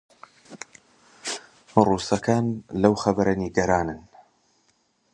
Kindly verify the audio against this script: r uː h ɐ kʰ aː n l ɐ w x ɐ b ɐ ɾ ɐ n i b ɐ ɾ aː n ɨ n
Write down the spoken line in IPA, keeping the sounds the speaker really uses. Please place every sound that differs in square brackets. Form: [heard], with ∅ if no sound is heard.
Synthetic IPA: r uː [s] ɐ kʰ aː n l ɐ w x ɐ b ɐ ɾ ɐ n i [ɡ] ɐ ɾ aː n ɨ n